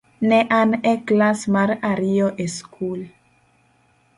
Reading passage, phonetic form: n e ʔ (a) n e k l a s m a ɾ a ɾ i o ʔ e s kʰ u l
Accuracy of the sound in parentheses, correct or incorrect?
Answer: correct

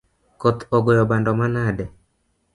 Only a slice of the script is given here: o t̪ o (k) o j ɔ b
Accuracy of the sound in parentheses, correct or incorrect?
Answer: incorrect: ɡ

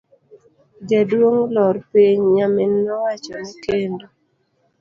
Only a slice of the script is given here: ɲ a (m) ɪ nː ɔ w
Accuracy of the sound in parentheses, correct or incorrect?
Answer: correct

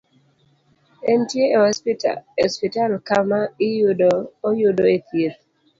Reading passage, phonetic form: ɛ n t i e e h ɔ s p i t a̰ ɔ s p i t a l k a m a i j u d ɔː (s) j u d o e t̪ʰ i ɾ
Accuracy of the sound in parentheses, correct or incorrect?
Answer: incorrect: none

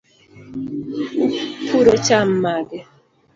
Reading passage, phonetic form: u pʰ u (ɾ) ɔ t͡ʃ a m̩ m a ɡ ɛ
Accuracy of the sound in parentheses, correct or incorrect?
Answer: correct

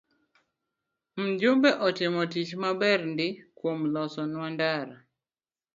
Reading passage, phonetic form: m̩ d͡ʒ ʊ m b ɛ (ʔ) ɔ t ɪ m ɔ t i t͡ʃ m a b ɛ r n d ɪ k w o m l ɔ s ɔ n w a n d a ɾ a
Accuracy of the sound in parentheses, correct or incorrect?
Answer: correct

